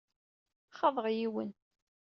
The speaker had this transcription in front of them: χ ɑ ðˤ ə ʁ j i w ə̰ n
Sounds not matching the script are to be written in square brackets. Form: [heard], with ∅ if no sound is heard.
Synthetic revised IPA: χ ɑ ðˤ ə ʁ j i w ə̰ n